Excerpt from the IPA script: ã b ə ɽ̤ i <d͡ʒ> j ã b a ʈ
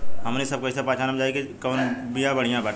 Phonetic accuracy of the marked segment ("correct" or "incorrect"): incorrect